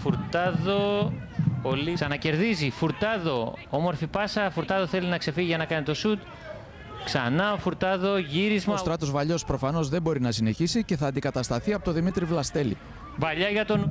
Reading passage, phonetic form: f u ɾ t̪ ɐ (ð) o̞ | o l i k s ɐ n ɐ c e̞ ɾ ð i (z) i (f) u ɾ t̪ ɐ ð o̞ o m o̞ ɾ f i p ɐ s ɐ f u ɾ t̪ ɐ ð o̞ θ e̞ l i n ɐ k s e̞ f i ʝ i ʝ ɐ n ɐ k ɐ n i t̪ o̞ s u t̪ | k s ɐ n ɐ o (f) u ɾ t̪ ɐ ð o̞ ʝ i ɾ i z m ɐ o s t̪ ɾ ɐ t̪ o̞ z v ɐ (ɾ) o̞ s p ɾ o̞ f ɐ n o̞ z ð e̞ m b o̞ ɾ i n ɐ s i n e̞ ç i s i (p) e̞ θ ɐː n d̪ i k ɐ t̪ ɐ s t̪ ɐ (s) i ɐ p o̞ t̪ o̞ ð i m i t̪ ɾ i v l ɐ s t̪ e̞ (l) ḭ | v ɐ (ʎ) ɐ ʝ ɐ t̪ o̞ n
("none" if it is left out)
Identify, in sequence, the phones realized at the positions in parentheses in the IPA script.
ð, z, f, f, ʎ, c, θ, l, ʎ

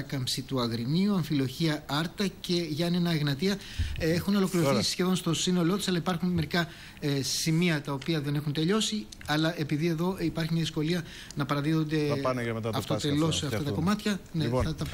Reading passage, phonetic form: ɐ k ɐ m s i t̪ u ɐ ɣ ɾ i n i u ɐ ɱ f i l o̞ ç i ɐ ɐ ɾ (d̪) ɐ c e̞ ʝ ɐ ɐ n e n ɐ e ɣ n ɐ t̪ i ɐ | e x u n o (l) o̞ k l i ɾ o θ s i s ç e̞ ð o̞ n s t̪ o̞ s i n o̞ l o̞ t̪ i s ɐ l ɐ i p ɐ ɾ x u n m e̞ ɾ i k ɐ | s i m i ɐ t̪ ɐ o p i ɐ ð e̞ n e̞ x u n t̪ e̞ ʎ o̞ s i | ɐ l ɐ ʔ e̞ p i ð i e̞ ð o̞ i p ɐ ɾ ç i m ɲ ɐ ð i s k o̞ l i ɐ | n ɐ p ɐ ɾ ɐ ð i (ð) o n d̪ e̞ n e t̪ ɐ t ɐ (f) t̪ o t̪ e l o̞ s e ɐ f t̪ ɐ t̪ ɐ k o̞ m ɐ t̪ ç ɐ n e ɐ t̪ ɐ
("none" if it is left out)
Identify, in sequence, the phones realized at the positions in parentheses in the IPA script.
t̪, l, ð, f

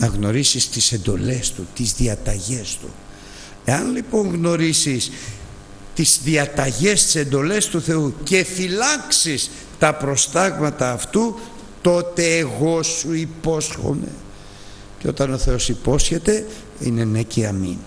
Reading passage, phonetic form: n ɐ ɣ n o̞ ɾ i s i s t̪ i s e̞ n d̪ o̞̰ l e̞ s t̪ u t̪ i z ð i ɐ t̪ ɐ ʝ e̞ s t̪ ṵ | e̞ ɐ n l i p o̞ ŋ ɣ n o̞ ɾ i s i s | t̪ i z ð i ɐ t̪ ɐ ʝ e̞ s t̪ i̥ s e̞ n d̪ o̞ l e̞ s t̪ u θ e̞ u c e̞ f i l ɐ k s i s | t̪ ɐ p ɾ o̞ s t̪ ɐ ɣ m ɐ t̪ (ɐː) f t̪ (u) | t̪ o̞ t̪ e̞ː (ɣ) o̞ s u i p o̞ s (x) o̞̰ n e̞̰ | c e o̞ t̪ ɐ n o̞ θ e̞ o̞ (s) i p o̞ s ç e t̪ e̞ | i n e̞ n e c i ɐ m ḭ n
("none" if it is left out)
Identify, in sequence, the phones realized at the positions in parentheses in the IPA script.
ɐː, u, ɣ, x, s

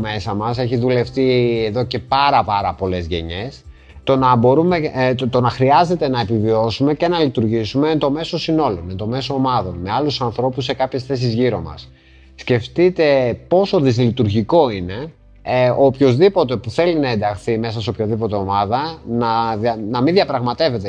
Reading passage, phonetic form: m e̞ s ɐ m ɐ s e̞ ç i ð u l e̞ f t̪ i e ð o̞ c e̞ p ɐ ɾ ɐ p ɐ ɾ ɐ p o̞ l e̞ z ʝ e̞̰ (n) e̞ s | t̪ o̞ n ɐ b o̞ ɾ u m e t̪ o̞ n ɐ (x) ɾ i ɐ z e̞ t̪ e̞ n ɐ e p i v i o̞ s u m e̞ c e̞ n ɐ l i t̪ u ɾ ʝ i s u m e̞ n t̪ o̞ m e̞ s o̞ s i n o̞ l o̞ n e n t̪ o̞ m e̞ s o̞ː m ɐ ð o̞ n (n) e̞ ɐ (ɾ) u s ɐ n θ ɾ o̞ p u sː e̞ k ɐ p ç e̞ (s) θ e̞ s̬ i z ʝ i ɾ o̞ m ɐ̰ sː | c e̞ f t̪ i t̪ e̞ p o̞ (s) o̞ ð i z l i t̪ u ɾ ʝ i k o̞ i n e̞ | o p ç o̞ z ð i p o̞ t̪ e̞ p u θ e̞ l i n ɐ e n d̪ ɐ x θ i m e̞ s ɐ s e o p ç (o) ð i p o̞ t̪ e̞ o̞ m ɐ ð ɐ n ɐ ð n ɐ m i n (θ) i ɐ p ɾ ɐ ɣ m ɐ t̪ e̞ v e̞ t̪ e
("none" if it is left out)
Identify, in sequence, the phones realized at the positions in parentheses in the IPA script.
ɲ, x, m, l, s, s, o, ð

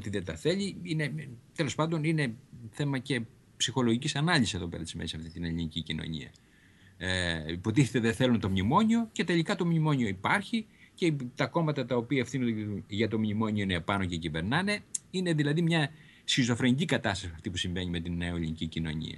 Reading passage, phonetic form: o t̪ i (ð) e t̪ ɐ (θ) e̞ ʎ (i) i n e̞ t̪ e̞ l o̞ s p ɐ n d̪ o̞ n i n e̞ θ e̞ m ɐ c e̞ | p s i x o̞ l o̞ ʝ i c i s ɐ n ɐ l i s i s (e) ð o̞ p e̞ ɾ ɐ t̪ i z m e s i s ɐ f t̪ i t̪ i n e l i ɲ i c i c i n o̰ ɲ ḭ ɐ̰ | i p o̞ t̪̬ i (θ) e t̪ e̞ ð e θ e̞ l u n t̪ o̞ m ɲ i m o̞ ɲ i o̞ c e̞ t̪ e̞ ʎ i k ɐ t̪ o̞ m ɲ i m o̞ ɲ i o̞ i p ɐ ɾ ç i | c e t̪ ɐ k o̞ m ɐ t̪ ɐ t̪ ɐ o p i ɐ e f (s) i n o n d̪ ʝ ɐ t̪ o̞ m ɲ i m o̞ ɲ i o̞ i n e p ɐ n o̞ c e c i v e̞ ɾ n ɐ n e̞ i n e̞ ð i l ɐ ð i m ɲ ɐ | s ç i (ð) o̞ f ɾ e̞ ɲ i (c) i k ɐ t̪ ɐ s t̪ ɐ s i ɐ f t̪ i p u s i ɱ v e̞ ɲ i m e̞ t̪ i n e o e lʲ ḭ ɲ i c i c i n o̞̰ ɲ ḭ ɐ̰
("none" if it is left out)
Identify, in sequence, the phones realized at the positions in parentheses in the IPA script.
ð, θ, i, e, θ, θ, z, c

